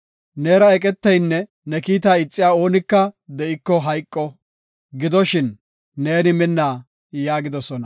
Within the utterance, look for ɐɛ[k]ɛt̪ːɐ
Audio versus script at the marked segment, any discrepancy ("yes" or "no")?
yes